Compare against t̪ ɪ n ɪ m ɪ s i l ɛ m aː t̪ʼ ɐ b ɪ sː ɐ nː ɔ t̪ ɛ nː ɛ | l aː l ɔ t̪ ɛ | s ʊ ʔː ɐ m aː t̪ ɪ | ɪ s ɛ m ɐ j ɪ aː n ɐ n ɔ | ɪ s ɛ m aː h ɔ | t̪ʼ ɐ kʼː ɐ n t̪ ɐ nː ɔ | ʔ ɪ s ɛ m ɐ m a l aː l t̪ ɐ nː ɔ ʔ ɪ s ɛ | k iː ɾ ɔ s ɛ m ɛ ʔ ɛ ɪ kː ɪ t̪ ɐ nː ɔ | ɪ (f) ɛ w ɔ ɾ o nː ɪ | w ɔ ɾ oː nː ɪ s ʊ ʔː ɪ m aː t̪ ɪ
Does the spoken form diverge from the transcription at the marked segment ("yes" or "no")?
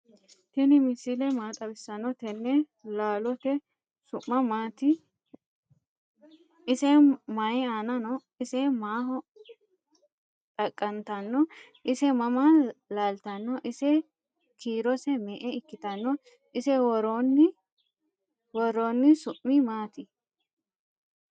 yes